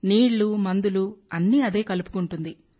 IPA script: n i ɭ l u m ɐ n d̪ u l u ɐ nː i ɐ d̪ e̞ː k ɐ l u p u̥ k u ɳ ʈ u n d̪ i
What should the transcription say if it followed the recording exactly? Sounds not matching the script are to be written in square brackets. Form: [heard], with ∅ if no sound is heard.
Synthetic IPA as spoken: n [iː] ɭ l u m ɐ n d̪ u l u ɐ nː i ɐ d̪ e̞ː k ɐ l u p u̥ k u ɳ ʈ u n d̪ i